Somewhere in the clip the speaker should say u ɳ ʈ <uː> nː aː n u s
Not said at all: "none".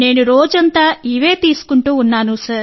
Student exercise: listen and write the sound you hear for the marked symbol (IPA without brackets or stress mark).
uː